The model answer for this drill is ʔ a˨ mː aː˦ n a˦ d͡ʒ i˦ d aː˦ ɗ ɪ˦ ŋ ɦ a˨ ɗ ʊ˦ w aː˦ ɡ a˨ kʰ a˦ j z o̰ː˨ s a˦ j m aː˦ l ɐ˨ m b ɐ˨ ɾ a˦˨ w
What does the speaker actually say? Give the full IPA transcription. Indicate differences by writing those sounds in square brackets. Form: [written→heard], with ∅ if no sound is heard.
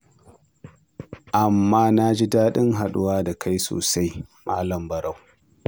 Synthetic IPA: ʔ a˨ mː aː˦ n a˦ d͡ʒ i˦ d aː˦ ɗ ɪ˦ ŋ ɦ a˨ ɗ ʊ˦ w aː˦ [ɡ→d] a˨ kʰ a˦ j [z→s] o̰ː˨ s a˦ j m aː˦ l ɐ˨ m b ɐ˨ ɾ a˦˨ w